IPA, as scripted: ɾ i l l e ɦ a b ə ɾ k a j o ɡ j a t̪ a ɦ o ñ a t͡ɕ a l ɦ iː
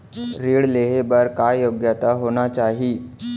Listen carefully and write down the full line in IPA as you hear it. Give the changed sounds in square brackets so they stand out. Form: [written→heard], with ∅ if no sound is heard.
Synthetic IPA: ɾ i [l→ɽ] l e ɦ [a→e] b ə ɾ k a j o ɡ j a t̪ a ɦ o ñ a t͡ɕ a [l→∅] ɦ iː